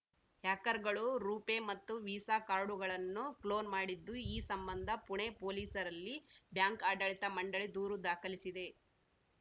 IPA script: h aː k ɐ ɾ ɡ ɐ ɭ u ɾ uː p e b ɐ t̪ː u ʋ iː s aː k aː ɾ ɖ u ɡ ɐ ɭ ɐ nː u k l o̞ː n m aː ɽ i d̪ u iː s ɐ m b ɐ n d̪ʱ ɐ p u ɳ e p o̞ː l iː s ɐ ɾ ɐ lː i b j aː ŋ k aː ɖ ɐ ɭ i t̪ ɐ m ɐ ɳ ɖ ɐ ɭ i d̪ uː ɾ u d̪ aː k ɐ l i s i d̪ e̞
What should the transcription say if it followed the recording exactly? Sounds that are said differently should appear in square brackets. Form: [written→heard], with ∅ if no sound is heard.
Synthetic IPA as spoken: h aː k ɐ ɾ ɡ ɐ ɭ u ɾ uː p e [b→m] ɐ t̪ː u ʋ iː s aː k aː ɾ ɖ u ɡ ɐ ɭ ɐ nː u k l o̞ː n m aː ɽ i [d̪→d̪ː] u iː s ɐ m b ɐ n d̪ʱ ɐ p u ɳ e p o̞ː l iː s ɐ ɾ ɐ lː i b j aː ŋ k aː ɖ ɐ ɭ i t̪ ɐ m ɐ ɳ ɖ ɐ ɭ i d̪ uː ɾ u d̪ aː k ɐ l i s i d̪ e̞